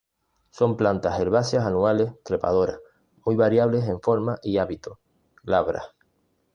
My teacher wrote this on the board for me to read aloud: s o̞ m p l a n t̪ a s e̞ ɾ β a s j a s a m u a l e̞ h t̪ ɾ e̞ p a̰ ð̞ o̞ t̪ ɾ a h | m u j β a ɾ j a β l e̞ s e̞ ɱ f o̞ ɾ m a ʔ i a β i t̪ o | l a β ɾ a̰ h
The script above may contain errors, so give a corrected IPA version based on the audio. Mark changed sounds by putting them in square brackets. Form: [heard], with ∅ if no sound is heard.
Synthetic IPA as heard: s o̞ m p l a n t̪ a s e̞ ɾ β a s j a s a [n] u a l e̞ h t̪ ɾ e̞ p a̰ ð̞ o̞ [∅] ɾ a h | m u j β a ɾ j a β l e̞ s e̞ ɱ f o̞ ɾ m a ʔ i a β i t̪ o | l a β ɾ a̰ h